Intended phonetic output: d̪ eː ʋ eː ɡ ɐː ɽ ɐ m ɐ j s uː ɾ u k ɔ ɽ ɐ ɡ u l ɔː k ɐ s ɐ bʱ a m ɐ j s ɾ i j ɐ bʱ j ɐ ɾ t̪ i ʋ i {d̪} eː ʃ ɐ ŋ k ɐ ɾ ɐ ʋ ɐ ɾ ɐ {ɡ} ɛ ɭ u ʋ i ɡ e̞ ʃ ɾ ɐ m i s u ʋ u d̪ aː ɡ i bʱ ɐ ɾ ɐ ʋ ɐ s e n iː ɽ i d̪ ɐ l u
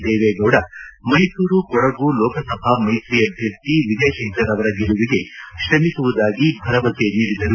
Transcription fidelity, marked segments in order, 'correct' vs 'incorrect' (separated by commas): correct, correct